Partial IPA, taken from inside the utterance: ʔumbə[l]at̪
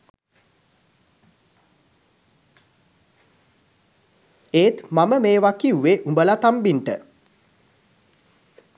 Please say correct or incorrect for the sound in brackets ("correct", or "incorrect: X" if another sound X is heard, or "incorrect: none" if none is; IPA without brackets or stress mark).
correct